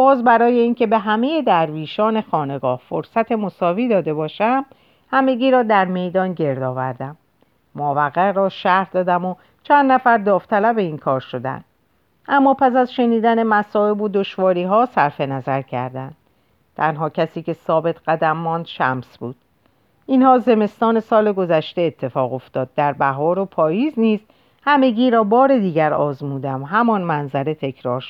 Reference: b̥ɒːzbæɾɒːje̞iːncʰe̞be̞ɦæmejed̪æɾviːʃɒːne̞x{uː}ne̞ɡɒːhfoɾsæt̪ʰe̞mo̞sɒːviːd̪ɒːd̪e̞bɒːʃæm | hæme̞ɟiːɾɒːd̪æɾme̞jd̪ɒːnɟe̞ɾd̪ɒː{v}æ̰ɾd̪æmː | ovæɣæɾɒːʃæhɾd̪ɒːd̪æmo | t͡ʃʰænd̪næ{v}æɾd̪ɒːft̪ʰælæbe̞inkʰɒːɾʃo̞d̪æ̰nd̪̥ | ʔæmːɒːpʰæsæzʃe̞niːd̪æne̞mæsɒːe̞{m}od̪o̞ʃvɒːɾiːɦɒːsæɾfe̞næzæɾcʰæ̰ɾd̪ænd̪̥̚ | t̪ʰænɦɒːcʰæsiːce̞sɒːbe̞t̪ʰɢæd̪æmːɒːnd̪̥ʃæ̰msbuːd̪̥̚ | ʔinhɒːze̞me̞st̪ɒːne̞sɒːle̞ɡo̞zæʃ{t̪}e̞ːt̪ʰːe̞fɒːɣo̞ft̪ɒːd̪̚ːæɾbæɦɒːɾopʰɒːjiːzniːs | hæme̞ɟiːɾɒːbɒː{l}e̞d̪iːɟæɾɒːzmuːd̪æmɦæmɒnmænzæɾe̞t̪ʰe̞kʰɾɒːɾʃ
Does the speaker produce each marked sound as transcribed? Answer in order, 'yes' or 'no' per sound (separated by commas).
no, yes, no, no, yes, no